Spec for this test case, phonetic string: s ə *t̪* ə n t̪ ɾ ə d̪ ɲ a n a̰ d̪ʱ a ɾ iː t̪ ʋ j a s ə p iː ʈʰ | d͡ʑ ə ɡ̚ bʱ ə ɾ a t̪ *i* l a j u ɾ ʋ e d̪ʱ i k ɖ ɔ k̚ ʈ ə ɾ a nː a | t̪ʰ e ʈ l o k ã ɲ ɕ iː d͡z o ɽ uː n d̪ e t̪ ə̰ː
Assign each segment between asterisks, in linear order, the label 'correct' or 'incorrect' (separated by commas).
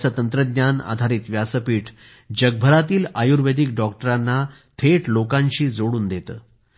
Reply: correct, incorrect